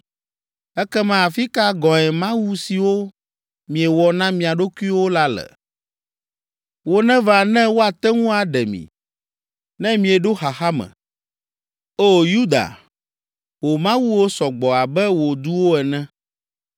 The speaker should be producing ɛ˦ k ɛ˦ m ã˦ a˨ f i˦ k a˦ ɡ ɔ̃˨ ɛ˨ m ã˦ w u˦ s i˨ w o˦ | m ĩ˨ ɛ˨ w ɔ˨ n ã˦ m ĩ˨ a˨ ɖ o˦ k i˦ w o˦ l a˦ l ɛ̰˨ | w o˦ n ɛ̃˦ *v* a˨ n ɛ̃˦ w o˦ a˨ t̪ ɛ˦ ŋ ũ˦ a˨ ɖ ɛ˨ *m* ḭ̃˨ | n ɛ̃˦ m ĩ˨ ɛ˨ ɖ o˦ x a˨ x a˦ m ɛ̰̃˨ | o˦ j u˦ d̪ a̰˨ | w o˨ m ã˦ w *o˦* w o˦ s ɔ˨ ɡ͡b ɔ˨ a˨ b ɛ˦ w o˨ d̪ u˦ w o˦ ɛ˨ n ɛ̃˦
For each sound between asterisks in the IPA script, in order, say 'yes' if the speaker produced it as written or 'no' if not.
yes, yes, no

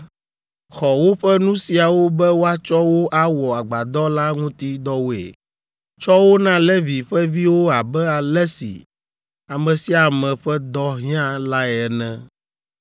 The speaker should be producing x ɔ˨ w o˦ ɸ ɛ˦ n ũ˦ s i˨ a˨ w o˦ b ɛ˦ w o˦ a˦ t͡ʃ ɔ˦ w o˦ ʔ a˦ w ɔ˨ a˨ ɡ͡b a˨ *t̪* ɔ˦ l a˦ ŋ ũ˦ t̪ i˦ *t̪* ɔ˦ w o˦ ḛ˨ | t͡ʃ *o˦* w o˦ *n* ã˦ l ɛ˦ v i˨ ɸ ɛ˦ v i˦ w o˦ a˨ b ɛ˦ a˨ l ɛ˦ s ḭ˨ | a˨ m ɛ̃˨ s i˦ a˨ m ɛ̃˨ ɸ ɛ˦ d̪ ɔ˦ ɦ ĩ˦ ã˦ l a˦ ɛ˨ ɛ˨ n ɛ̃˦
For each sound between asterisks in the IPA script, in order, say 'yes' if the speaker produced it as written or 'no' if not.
no, no, no, yes

